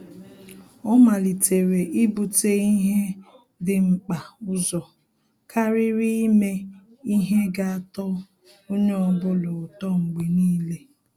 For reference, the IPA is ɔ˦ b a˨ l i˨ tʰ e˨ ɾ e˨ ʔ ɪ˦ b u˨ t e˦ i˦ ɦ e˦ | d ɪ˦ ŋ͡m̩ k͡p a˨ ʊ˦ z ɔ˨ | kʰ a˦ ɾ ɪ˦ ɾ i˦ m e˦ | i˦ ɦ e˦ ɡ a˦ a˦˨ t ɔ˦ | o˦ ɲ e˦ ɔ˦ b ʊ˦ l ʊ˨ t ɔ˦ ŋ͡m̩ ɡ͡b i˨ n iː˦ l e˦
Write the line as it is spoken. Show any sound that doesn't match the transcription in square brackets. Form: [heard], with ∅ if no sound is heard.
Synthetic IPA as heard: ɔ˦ [m] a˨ l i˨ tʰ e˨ ɾ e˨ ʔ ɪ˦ b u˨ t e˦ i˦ ɦ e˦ | d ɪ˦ ŋ͡m̩ k͡p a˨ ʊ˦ z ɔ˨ | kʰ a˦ ɾ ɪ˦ ɾ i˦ m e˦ | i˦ ɦ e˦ ɡ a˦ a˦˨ t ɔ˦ | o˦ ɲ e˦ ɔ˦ b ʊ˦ l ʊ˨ t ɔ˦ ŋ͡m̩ ɡ͡b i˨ n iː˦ l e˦